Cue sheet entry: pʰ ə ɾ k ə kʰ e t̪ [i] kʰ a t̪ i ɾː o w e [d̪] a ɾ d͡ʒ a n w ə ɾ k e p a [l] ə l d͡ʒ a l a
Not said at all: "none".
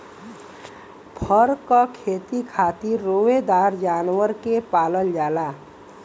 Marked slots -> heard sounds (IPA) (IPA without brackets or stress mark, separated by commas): i, d̪, l